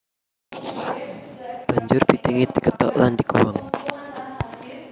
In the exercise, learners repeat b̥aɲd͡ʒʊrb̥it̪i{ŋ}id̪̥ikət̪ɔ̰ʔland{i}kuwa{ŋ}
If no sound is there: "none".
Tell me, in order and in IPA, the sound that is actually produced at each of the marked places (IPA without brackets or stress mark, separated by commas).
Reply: ŋ, i, ŋ